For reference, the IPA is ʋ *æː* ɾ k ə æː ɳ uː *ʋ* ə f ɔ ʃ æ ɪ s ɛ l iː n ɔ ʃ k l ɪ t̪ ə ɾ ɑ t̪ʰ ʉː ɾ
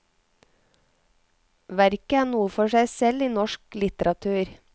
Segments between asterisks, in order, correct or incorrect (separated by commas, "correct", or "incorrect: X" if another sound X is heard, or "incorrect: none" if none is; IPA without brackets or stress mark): incorrect: æ, incorrect: none